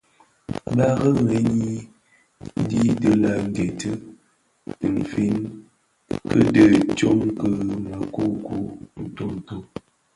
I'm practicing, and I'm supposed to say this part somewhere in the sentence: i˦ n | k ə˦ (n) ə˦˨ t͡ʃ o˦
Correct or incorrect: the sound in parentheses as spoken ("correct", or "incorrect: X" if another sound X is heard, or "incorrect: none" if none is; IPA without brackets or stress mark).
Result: incorrect: d